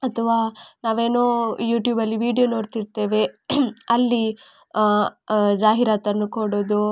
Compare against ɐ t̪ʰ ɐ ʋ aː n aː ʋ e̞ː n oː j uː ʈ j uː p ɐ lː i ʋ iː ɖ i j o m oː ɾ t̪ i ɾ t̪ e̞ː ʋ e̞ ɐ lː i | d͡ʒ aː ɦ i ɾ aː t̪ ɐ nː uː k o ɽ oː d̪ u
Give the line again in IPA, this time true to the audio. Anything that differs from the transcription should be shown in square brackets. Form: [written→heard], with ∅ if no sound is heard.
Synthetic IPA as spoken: ɐ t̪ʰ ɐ ʋ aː n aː ʋ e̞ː n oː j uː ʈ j uː [p→b] ɐ lː i ʋ iː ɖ i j o [m→n] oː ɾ t̪ i ɾ t̪ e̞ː ʋ e̞ ɐ lː i | d͡ʒ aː ɦ i ɾ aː t̪ ɐ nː [uː→u] k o ɽ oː d̪ u

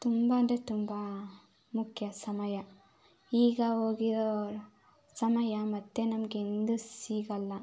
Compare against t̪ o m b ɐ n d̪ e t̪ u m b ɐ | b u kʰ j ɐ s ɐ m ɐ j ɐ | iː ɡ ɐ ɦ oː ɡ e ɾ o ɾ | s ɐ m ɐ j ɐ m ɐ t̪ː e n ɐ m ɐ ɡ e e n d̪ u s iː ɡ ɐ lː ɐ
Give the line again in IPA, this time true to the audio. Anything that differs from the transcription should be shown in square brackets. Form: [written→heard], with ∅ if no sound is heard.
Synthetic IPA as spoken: t̪ [o→u] m b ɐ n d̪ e t̪ u m b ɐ | [b→m] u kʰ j ɐ s ɐ m ɐ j ɐ | iː ɡ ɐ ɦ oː ɡ [e→i] ɾ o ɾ | s ɐ m ɐ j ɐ m ɐ t̪ː e n ɐ m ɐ ɡ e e n d̪ u s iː ɡ ɐ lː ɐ

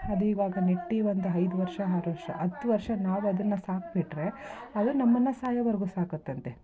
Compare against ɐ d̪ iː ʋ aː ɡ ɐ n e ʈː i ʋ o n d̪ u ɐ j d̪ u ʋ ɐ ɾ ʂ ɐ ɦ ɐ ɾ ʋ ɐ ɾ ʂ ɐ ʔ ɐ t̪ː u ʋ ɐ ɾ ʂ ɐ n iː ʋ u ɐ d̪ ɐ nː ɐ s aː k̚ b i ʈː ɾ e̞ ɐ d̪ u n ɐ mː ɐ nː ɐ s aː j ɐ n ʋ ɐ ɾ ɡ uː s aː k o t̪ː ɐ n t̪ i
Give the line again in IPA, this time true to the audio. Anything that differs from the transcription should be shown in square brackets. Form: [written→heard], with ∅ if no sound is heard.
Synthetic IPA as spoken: ɐ d̪ iː ʋ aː ɡ ɐ n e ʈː i ʋ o n d̪ u ɐ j d̪ u ʋ ɐ ɾ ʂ ɐ ɦ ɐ ɾ ʋ ɐ ɾ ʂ ɐ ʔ ɐ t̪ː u ʋ ɐ ɾ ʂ ɐ n [iː→aː] ʋ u ɐ d̪ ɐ nː ɐ s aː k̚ b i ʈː ɾ e̞ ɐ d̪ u n ɐ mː ɐ nː ɐ s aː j ɐ [n→∅] ʋ ɐ ɾ ɡ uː s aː k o t̪ː ɐ n t̪ [i→e]

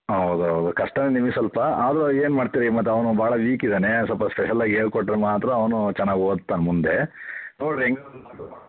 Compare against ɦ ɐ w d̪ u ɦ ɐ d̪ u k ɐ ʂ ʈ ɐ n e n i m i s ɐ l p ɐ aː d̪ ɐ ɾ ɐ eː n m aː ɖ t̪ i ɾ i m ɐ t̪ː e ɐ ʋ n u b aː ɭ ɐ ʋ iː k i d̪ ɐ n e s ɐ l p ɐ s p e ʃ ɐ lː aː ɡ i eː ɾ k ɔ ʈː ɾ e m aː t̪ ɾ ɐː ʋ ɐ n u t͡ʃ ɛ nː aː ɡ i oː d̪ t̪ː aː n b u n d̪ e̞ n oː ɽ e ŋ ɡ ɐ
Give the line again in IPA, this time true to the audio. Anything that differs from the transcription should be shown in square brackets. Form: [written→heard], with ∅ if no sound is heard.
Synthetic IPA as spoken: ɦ ɐ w d̪ u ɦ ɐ d̪ u k ɐ ʂ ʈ ɐ n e n i m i s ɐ l p ɐ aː d̪ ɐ ɾ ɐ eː n m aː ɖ t̪ i ɾ i m ɐ t̪ː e ɐ ʋ n u b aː ɭ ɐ ʋ iː k i d̪ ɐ n e s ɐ l p ɐ s p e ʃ ɐ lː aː ɡ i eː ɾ k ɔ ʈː ɾ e m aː t̪ ɾ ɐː ʋ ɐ n u t͡ʃ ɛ nː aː ɡ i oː d̪ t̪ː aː n [b→m] u n d̪ e̞ n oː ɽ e ŋ ɡ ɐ

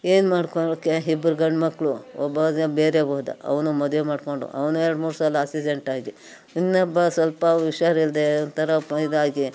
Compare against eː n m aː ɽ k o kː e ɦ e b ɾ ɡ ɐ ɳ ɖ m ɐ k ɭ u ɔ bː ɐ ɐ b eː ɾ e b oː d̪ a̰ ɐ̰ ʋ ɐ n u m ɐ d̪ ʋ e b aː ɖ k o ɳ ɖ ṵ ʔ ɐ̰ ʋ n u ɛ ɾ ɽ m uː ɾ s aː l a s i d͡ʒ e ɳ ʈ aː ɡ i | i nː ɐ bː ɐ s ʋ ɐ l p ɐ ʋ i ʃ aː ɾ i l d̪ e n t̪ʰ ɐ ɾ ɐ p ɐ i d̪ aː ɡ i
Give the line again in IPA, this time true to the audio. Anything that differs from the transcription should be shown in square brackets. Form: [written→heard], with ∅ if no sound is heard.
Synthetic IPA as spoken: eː n m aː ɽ k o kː e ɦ [e→i] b ɾ ɡ ɐ ɳ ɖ m ɐ k ɭ u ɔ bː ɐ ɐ b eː ɾ e b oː d̪ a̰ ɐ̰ ʋ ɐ n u m ɐ d̪ ʋ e [b→m] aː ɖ k o ɳ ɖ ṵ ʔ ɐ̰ ʋ n u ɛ ɾ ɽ m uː ɾ s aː l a s i d͡ʒ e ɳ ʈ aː ɡ i | i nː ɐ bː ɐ s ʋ ɐ l p ɐ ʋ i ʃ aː ɾ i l d̪ e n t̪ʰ ɐ ɾ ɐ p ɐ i d̪ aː ɡ i

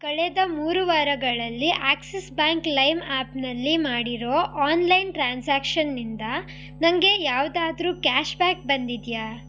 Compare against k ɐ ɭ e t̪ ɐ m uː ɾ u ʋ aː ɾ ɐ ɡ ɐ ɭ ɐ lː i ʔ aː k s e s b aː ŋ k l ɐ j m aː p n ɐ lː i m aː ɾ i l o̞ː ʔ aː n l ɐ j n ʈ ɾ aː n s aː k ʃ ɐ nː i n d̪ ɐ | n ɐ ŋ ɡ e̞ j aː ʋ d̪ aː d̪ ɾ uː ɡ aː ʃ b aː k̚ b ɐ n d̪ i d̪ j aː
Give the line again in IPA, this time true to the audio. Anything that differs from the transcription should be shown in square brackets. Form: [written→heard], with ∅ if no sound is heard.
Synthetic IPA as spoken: k ɐ ɭ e [t̪→d̪] ɐ m uː ɾ u ʋ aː ɾ ɐ ɡ ɐ ɭ ɐ lː i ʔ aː k s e s b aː ŋ k l ɐ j m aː p n ɐ lː i m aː [ɾ→ɽ] i [l→ɾ] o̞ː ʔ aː n l ɐ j n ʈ ɾ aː n s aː k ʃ ɐ nː i n d̪ ɐ | n ɐ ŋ ɡ e̞ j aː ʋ d̪ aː d̪ ɾ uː [ɡ→k] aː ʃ b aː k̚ b ɐ n d̪ i d̪ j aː

